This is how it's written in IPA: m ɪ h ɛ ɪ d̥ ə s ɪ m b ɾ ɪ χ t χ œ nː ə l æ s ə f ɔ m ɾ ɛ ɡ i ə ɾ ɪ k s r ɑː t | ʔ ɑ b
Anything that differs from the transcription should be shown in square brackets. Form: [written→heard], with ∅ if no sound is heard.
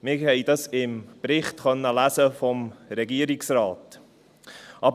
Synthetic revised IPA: m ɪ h ɛ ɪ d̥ [ə→ɑ] s ɪ m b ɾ ɪ χ t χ œ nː ə l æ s ə f ɔ m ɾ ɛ ɡ i ə ɾ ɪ k s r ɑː t | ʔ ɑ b